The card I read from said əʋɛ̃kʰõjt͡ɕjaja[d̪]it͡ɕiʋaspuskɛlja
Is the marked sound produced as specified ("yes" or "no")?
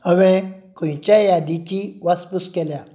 yes